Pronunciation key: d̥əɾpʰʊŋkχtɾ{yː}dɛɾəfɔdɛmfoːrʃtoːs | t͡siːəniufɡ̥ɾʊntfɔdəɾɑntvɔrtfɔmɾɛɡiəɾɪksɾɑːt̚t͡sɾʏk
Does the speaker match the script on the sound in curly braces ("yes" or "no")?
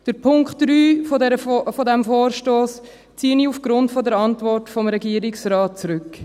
yes